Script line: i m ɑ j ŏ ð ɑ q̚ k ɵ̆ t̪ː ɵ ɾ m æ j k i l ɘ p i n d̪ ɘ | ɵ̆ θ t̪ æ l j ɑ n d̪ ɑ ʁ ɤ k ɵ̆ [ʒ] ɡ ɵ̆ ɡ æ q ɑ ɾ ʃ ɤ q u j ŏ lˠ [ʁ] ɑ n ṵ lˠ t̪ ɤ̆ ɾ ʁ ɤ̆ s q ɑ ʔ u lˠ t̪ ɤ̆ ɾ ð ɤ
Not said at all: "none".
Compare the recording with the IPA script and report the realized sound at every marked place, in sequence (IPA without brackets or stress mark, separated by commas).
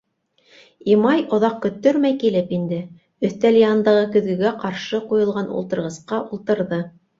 ð, ʁ